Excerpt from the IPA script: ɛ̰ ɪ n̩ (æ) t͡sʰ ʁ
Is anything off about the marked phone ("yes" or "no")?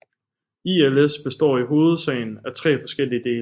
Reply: no